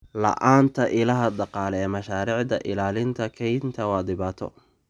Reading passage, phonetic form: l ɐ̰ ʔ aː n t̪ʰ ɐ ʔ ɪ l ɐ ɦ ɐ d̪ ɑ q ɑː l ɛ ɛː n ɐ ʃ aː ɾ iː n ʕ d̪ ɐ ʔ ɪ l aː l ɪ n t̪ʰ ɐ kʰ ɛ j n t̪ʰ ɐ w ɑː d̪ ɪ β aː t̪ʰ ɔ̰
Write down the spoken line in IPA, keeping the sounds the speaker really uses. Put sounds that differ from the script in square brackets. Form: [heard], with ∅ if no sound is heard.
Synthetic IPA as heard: l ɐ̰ ʔ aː n t̪ʰ ɐ ʔ ɪ l ɐ ɦ ɐ d̪ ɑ q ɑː l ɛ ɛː [m] ɐ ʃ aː ɾ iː [∅] ʕ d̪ ɐ ʔ ɪ l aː l ɪ n t̪ʰ ɐ kʰ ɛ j n t̪ʰ ɐ w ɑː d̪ ɪ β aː t̪ʰ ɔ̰